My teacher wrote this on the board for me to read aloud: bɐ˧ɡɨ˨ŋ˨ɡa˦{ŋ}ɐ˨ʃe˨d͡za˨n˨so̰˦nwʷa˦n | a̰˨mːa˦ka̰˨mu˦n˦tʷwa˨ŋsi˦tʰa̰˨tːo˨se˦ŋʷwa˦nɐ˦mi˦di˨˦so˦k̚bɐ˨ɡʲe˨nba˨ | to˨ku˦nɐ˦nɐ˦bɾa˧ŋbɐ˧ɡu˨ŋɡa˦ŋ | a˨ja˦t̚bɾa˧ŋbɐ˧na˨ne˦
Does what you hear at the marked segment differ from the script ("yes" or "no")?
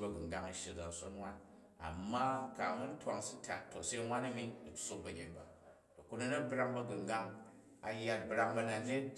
no